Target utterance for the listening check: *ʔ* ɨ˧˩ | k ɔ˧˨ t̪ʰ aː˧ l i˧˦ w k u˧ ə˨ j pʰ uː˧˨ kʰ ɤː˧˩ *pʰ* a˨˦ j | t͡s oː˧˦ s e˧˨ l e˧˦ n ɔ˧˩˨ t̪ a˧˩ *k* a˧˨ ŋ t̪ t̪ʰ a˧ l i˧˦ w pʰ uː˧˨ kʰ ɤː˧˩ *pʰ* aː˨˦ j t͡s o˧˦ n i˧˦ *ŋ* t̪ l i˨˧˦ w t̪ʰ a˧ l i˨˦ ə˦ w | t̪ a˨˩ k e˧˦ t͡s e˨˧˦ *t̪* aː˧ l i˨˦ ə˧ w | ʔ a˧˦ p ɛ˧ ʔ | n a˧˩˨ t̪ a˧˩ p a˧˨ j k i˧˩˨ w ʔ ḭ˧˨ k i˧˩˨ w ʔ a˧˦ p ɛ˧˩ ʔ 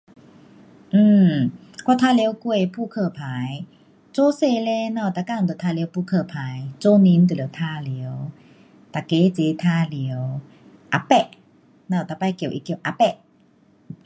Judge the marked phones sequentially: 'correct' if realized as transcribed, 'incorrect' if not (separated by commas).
correct, correct, correct, correct, incorrect, incorrect